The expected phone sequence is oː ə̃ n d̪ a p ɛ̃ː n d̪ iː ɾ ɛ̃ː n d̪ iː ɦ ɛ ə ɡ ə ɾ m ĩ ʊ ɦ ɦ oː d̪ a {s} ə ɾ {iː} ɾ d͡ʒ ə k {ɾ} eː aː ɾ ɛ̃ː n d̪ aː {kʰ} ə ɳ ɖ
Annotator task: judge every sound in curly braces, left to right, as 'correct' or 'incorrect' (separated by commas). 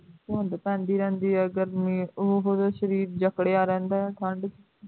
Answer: incorrect, correct, incorrect, incorrect